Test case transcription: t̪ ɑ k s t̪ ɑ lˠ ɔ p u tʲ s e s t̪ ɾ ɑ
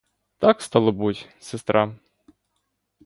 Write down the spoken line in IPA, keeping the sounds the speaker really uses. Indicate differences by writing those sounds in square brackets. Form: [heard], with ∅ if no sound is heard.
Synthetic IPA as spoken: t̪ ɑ k s t̪ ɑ lˠ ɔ [b] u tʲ s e s t̪ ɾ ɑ